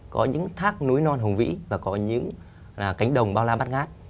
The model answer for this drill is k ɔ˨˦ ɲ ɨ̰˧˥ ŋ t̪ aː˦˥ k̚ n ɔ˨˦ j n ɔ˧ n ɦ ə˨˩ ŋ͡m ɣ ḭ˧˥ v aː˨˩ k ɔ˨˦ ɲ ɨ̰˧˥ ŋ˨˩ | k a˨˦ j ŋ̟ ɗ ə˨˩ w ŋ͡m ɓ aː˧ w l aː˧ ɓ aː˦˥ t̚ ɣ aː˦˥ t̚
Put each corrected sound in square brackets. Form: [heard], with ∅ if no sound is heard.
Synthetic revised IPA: k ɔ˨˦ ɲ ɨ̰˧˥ ŋ [t̪ʰ] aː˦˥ k̚ n [u˨˦] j n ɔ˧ n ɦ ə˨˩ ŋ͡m [v] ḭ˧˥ v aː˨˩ k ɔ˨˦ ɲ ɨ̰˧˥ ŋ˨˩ | k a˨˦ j ŋ̟ ɗ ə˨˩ w ŋ͡m ɓ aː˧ w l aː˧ ɓ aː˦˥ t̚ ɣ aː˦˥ t̚